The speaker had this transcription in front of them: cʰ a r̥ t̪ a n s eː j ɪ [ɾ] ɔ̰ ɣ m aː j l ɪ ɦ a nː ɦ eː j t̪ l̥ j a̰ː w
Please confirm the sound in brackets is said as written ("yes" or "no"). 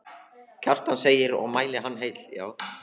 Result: yes